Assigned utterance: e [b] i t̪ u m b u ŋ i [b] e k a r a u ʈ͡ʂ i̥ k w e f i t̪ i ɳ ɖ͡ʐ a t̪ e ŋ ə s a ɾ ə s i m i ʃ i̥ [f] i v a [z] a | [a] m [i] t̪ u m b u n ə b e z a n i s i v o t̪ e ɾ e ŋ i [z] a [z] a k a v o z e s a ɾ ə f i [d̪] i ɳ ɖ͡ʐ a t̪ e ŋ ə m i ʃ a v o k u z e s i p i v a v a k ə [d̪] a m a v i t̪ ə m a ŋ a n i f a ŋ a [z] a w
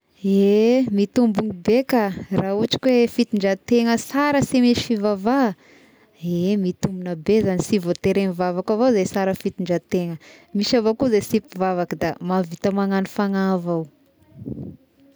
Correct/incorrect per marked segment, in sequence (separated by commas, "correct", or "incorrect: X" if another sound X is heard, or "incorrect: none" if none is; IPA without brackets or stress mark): incorrect: m, correct, correct, incorrect: v, incorrect: e, correct, incorrect: v, incorrect: v, incorrect: t̪, correct, incorrect: v